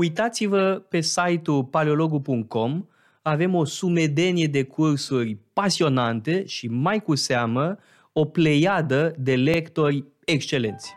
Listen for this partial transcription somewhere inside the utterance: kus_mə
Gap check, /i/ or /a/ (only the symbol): a